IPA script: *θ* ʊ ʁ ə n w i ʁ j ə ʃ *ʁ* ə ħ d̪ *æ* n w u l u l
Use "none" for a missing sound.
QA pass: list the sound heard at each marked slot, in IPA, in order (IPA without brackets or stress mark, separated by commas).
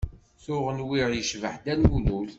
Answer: θ, v, æ